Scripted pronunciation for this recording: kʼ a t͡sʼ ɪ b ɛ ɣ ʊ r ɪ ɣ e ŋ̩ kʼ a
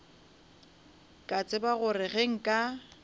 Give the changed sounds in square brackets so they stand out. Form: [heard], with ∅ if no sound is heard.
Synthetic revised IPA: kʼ a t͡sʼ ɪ b [a] ɣ ʊ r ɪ ɣ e ŋ̩ kʼ a